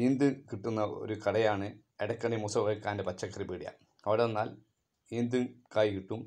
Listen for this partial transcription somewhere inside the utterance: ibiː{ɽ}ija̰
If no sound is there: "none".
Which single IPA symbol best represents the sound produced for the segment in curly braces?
ɽ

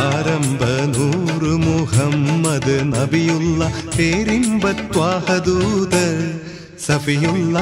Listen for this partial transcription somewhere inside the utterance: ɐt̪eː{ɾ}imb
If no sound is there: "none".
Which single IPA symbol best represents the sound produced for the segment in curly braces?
ɾ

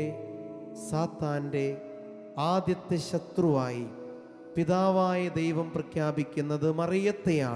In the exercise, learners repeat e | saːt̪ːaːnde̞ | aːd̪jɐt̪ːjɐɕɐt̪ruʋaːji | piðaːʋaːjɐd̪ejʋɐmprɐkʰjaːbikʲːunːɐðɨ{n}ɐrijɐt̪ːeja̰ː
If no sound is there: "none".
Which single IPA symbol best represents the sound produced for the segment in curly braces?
m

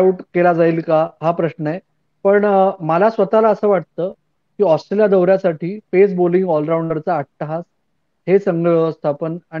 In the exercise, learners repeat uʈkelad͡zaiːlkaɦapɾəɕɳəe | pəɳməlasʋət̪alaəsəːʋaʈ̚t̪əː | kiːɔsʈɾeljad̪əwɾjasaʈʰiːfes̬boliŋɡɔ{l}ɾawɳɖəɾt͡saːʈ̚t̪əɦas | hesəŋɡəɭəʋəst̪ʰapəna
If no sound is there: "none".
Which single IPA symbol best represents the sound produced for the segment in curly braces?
l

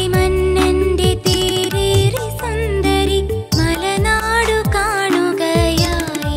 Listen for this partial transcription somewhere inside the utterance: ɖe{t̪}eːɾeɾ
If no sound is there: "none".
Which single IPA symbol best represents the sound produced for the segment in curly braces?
t̪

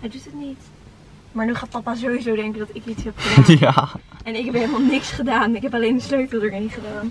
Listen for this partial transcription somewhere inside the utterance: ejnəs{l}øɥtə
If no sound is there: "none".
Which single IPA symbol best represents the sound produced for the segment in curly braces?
l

